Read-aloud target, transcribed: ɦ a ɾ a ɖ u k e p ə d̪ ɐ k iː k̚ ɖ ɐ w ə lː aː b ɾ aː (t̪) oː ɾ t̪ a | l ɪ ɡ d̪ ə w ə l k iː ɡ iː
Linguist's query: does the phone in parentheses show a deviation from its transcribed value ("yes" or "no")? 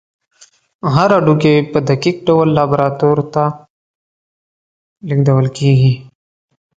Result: no